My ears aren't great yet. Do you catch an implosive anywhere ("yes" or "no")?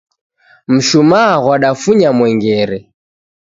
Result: yes